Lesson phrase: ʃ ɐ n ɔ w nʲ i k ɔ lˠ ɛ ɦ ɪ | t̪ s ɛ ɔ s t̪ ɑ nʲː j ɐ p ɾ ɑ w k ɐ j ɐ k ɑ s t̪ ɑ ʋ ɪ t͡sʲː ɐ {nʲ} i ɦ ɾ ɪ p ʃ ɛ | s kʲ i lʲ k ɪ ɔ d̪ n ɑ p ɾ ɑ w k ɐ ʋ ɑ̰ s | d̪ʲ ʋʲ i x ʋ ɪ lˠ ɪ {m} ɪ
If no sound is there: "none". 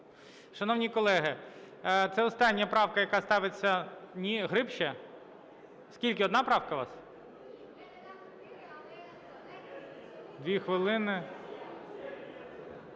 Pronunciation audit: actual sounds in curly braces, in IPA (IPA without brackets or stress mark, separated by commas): nʲ, n